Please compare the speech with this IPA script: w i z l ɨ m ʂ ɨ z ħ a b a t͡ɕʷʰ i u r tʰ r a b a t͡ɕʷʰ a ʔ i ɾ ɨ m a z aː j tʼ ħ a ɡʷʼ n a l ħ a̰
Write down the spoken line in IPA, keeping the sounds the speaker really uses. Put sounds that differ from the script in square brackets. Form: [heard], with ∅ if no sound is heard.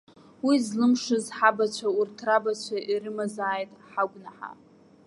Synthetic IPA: w i z l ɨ m ʂ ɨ z ħ a b a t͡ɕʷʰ [a] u r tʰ r a b a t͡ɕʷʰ a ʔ i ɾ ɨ m a z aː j tʼ ħ a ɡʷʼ n a [∅] ħ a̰